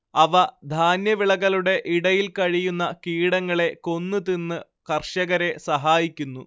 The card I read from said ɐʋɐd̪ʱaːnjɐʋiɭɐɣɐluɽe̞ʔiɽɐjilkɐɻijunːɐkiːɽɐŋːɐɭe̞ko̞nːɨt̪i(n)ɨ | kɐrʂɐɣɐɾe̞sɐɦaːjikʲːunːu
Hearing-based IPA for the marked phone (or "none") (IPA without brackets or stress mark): nː